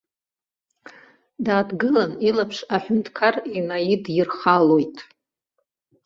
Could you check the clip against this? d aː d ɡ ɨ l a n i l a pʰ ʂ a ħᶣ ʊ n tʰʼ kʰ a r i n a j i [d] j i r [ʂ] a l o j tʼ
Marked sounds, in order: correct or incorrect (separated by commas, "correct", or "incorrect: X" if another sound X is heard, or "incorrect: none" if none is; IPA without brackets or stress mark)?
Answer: correct, incorrect: χ